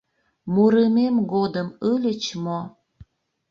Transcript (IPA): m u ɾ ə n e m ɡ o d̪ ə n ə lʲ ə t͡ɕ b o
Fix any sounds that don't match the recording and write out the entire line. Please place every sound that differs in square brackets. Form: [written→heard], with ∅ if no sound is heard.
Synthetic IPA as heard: m u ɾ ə [n→m] e m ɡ o d̪ ə [n→m] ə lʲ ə t͡ɕ [b→m] o